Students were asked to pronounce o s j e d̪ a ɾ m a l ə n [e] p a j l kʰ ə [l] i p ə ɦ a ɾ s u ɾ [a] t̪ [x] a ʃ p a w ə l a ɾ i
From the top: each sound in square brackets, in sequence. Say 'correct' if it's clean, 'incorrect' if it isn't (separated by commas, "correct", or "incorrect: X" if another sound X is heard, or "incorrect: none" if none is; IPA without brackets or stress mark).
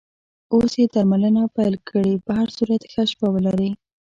incorrect: a, incorrect: ɽ, correct, correct